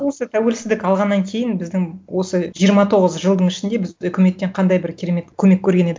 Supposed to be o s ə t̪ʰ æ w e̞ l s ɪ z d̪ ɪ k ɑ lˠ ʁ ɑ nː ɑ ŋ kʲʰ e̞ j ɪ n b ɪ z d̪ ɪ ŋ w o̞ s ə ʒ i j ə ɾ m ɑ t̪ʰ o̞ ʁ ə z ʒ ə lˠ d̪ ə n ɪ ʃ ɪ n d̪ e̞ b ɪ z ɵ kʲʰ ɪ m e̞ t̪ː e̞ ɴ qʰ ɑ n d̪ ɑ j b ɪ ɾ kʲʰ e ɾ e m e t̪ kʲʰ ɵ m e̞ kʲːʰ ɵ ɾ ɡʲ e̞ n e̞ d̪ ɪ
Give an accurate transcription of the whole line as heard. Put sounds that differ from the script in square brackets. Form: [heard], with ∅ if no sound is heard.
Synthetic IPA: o s ə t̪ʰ æ w e̞ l s ɪ z d̪ ɪ k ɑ lˠ ʁ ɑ nː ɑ ŋ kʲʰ e̞ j ɪ n b ɪ z d̪ ɪ ŋ w o̞ s ə ʒ i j ə ɾ m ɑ t̪ʰ o̞ ʁ ə z ʒ ə lˠ d̪ ə [ɴ] ɪ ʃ ɪ n d̪ e̞ b ɪ z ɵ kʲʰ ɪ m e̞ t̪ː e̞ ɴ qʰ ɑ n d̪ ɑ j b ɪ ɾ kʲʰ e ɾ e m e t̪ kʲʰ ɵ m e̞ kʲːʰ ɵ ɾ ɡʲ e̞ n e̞ d̪ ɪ